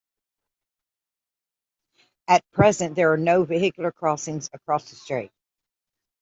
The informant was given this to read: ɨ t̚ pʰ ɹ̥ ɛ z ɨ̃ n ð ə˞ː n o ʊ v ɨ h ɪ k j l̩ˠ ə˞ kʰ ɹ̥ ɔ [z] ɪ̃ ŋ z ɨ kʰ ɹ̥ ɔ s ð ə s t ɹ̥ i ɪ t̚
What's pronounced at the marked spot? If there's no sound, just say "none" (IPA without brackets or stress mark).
s